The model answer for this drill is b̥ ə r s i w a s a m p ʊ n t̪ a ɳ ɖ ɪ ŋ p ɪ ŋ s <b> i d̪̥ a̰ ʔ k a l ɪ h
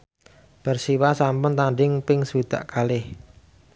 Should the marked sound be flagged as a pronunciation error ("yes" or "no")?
yes